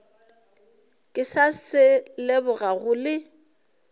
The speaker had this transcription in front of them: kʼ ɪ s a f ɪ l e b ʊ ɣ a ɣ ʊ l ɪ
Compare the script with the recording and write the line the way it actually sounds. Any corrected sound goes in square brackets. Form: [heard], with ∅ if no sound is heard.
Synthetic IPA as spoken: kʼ ɪ s a [s] ɪ l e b ʊ ɣ a ɣ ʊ l ɪ